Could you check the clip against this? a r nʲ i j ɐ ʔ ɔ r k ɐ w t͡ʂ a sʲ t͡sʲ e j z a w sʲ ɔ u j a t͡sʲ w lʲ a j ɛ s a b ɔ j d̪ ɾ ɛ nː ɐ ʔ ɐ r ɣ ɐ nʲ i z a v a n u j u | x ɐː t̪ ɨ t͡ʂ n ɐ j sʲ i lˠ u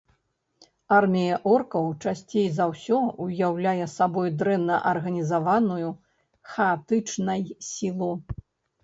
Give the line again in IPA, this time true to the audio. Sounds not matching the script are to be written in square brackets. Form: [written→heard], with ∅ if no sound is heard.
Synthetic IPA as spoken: a r [nʲ→mʲ] i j ɐ ʔ ɔ r k ɐ w t͡ʂ a sʲ t͡sʲ e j z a w sʲ ɔ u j a [t͡sʲ→∅] w lʲ a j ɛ s a b ɔ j d̪ ɾ ɛ nː ɐ ʔ ɐ r ɣ ɐ nʲ i z a v a n u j u | x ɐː t̪ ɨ t͡ʂ n ɐ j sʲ i lˠ u